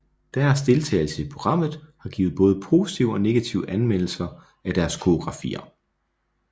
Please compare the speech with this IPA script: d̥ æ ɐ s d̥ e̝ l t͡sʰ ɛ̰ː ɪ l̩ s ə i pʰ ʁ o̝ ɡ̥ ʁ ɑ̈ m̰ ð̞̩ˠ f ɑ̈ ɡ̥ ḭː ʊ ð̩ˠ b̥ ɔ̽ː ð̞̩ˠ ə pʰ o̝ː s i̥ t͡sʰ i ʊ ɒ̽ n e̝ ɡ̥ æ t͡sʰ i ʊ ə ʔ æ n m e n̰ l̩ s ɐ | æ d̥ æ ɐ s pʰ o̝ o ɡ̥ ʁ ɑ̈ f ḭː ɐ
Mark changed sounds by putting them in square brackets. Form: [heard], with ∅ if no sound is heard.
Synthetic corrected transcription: d̥ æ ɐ s d̥ e̝ l t͡sʰ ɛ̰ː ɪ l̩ s ə i pʰ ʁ o̝ ɡ̥ ʁ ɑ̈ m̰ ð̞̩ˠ [h] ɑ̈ ɡ̥ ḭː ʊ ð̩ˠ b̥ ɔ̽ː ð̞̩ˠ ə pʰ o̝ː s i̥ t͡sʰ i ʊ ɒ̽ n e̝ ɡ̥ æ t͡sʰ i ʊ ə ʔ æ n m e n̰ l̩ s ɐ | æ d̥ æ ɐ s [kʰ] o̝ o ɡ̥ ʁ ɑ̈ f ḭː ɐ